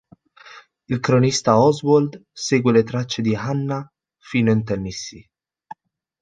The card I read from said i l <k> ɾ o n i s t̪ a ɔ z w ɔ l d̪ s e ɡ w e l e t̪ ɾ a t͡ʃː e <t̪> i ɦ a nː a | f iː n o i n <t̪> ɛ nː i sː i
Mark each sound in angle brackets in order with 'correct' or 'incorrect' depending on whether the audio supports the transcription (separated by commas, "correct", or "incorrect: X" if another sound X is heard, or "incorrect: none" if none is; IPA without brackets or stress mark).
correct, incorrect: d̪, correct